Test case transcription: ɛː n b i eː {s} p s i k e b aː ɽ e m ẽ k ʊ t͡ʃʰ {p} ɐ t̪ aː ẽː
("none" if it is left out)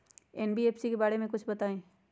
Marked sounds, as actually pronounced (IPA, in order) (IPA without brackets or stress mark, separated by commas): none, b